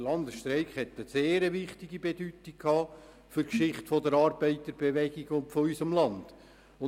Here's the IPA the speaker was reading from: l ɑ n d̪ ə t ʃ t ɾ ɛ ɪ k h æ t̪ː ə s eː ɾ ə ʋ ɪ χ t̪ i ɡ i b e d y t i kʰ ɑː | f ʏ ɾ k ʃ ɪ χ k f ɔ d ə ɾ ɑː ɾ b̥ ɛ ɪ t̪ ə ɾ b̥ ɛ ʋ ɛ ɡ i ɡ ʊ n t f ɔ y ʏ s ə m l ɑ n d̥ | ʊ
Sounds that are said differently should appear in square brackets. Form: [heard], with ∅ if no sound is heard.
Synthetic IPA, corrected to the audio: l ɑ n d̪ ə [s] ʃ t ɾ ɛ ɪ k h [ɛ] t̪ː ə s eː ɾ ə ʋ ɪ χ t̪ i ɡ i b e d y t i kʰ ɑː | f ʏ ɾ k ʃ ɪ χ [t] f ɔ d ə ɾ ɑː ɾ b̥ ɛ ɪ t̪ ə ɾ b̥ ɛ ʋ ɛ ɡ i ɡ ʊ n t f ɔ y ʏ s ə m l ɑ n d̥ | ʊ